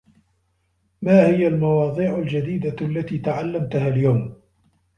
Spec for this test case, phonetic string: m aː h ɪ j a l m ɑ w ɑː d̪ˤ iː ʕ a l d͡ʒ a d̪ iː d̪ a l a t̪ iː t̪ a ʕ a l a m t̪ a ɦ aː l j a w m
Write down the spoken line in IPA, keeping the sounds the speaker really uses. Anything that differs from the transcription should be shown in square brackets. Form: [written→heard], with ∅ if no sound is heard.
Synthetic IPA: m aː h ɪ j a l m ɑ w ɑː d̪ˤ iː ʕ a l d͡ʒ a d̪ iː d̪ a [l→lː] a t̪ iː t̪ a ʕ a [l→lː] a m t̪ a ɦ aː l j a w m